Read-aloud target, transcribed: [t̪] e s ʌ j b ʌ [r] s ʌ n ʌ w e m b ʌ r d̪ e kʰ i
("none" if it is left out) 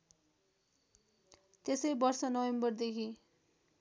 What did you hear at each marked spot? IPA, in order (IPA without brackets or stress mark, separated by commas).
t̪, r